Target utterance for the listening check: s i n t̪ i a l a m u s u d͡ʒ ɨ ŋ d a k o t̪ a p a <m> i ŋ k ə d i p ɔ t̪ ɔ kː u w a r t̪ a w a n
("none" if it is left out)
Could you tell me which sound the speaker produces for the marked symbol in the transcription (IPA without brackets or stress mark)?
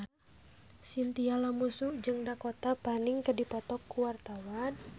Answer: n